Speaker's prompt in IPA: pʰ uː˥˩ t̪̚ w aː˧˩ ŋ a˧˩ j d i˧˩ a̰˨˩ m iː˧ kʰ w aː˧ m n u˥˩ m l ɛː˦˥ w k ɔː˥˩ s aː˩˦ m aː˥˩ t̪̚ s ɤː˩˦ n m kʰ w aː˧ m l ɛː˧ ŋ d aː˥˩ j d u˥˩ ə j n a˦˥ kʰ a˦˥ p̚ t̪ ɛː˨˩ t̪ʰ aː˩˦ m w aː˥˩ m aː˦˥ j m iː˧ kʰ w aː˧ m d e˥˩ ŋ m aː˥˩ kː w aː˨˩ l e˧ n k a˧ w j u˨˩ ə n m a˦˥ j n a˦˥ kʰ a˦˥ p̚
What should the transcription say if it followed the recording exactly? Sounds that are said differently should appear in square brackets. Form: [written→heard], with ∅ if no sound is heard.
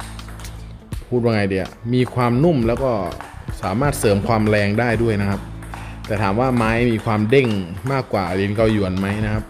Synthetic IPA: pʰ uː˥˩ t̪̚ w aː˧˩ ŋ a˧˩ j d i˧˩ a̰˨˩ m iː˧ kʰ w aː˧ m n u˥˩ m l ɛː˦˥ w k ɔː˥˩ s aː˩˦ m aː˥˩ t̪̚ s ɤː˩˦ [n→∅] m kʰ w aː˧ m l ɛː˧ ŋ d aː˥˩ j d u˥˩ ə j n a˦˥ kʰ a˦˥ p̚ t̪ ɛː˨˩ t̪ʰ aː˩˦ m w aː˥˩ m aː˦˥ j m iː˧ kʰ w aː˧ m d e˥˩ ŋ m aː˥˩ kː w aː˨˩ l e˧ n k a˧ w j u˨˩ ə n m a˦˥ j n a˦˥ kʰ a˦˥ p̚